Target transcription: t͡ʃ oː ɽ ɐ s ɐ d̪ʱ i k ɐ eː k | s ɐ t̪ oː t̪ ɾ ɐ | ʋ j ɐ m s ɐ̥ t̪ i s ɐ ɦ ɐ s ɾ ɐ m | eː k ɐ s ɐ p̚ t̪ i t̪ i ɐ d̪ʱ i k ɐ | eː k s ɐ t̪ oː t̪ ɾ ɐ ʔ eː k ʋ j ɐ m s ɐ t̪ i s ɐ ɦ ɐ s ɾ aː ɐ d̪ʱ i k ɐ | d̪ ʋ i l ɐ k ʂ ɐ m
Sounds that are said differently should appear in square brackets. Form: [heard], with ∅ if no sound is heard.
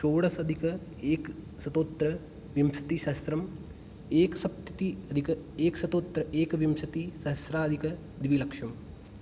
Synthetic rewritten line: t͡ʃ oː ɽ ɐ s ɐ d̪ʱ i k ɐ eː k | s ɐ t̪ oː t̪ ɾ ɐ | ʋ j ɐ m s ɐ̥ t̪ i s ɐ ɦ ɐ s ɾ ɐ m | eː k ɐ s ɐ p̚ t̪ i t̪ i ɐ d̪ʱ i k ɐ | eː k s ɐ t̪ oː t̪ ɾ ɐ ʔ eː k ʋ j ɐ m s ɐ t̪ i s ɐ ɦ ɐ s ɾ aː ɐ d̪ʱ i k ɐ | d̪ ʋ i l ɐ k ʂ ɐ m